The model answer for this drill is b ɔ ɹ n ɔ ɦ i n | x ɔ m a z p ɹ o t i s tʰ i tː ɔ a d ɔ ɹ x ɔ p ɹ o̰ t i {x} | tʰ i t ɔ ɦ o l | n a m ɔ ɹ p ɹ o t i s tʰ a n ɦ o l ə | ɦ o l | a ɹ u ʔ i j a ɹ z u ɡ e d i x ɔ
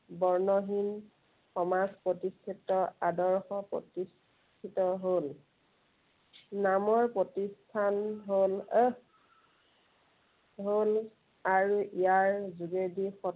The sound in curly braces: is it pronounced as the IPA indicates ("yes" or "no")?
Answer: no